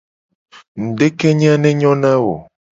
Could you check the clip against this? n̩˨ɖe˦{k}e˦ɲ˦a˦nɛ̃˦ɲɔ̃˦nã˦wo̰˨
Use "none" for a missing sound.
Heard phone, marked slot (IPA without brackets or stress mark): k